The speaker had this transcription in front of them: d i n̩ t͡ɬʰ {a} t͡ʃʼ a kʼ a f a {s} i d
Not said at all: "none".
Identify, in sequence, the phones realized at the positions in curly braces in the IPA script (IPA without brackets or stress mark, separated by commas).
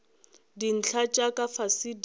a, s